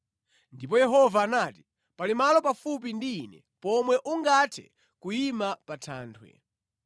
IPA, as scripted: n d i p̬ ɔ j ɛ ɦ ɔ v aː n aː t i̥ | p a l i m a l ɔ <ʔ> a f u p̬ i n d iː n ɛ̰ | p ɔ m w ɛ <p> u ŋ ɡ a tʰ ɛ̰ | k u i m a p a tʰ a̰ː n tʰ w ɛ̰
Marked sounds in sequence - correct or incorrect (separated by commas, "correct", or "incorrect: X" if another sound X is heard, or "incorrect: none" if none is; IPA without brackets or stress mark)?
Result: incorrect: p, incorrect: ʔ